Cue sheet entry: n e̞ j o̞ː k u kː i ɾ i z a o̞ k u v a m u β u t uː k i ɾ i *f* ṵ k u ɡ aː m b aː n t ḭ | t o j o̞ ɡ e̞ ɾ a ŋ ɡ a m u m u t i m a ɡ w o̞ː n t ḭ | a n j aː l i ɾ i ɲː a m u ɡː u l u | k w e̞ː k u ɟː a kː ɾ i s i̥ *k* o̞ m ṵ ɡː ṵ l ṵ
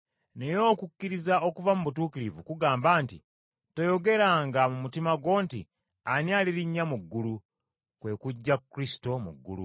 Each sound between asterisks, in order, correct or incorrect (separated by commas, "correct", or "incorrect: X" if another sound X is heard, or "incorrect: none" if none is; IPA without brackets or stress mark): incorrect: v, incorrect: t